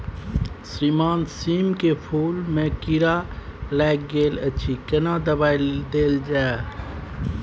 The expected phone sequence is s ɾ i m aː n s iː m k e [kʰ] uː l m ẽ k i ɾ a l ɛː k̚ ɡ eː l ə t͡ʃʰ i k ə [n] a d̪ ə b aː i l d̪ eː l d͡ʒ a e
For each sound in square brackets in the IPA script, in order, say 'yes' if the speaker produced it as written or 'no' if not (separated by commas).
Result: no, yes